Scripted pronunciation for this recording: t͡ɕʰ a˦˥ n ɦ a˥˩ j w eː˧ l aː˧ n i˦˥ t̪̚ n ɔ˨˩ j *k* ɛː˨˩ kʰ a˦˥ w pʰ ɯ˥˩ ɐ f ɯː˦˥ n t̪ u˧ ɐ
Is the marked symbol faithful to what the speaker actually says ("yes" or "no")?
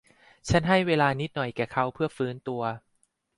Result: yes